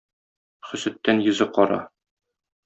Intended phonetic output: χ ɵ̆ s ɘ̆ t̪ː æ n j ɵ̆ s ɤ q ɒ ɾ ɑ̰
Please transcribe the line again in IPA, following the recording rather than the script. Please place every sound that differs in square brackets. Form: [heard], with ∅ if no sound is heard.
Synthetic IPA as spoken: χ ɵ̆ s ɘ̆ t̪ː æ n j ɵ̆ [z] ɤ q ɒ ɾ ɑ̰